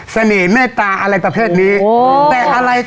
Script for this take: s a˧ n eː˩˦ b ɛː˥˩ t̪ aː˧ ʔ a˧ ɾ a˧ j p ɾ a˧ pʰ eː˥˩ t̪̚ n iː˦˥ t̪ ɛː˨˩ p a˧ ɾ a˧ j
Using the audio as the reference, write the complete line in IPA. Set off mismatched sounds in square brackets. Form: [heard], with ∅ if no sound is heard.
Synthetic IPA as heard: s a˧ n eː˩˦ [m] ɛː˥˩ t̪ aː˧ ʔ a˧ ɾ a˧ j p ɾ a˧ pʰ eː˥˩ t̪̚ n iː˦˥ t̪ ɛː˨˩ [ʔ] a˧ ɾ a˧ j